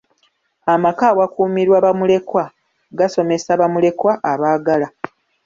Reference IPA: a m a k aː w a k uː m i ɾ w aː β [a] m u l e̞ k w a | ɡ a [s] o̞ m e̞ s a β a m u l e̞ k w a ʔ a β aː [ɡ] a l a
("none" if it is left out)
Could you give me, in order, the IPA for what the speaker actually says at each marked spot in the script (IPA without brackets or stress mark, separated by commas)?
a, s, ɡ